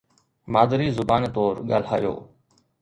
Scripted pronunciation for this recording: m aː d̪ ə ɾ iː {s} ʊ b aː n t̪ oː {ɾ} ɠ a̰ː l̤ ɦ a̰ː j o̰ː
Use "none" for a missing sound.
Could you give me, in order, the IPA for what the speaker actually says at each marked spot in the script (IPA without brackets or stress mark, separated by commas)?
z, ɾ